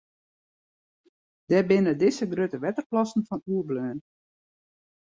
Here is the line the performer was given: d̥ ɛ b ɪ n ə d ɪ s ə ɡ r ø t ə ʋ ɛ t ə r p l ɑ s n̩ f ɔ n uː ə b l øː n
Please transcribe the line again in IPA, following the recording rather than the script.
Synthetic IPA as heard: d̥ ɛ b ɪ n ə d ɪ s ə ɡ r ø t ə ʋ ɛ t ə r p l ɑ s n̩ f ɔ n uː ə b l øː n